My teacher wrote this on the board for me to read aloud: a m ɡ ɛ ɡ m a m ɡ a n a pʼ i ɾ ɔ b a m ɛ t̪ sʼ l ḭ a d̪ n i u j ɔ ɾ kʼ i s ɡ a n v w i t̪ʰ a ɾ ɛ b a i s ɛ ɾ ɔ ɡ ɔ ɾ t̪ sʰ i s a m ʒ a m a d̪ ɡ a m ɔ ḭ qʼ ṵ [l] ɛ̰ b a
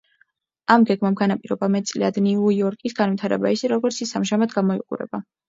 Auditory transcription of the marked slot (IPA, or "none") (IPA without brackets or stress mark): ɾ